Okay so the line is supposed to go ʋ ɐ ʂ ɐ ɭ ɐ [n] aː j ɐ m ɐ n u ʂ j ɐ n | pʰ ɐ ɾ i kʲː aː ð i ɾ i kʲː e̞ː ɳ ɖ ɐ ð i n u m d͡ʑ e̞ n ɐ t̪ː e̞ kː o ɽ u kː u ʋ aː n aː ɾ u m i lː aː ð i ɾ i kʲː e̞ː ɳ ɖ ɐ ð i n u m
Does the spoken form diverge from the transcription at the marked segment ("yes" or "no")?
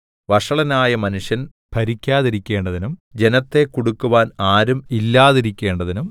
no